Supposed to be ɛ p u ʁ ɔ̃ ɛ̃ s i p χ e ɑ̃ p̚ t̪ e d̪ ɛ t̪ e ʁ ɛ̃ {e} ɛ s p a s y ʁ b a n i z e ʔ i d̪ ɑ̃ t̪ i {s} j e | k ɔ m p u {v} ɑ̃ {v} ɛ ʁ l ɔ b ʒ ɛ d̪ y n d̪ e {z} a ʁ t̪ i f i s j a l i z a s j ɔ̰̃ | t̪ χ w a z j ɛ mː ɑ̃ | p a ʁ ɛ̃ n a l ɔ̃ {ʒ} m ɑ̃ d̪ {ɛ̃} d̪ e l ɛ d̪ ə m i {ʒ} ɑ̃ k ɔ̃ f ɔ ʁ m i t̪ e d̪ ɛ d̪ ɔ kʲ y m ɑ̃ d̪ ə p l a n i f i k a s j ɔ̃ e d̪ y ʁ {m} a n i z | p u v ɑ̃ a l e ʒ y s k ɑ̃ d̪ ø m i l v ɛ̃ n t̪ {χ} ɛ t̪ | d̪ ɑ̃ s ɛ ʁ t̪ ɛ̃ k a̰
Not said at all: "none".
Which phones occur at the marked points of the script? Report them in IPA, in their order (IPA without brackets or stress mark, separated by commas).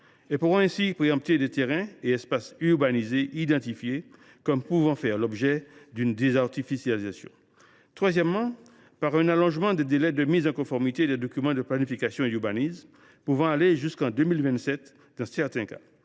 e, f, v, f, z, ʒ, ɛ, z, b, s